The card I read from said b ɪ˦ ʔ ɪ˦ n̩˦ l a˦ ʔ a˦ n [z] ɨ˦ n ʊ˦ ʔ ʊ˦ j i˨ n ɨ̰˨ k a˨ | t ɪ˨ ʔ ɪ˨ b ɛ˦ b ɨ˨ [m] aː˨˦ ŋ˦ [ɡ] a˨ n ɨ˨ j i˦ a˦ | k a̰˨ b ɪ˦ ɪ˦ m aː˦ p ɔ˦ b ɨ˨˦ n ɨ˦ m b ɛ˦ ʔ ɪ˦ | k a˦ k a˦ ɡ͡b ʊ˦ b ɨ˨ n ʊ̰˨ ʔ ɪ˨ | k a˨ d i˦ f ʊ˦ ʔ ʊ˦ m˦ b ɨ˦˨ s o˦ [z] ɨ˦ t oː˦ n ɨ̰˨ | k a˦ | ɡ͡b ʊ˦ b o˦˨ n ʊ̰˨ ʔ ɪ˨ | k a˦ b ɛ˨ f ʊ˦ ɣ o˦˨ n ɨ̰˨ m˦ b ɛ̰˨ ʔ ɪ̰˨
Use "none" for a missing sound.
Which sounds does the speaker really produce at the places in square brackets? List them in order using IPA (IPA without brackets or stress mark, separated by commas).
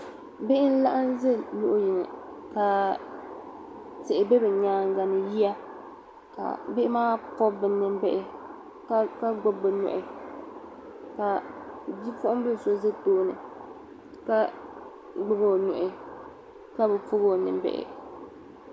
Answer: z, ɲ, ɡ, z